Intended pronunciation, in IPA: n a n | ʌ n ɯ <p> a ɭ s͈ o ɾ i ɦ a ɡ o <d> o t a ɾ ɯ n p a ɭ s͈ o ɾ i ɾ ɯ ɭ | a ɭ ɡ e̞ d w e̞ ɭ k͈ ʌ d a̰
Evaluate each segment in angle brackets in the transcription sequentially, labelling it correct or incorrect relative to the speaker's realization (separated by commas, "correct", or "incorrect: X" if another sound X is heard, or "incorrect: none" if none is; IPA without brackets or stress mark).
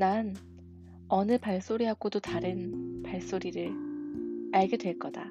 correct, correct